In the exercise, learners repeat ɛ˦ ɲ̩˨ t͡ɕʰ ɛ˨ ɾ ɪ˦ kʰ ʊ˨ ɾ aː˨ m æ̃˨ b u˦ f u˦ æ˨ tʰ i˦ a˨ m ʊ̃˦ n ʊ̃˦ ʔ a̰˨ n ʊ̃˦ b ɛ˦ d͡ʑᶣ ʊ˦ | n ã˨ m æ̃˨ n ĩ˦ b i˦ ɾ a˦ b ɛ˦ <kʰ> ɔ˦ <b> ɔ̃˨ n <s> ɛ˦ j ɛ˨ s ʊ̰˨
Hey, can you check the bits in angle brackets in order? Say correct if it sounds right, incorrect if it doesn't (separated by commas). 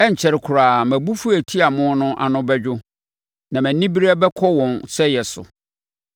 correct, incorrect, correct